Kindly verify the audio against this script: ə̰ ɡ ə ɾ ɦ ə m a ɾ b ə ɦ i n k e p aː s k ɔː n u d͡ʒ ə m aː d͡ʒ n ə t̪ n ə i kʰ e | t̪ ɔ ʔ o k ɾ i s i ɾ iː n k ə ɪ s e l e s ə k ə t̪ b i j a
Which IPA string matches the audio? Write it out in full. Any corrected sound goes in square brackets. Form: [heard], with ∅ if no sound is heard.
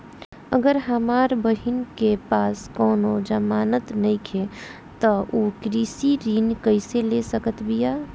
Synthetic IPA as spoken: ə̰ ɡ ə ɾ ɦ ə m a ɾ b ə ɦ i n k e p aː s k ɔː n [o] d͡ʒ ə m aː [∅] n ə t̪ n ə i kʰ e | t̪ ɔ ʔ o k ɾ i s i ɾ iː n k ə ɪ s e l e s ə k ə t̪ b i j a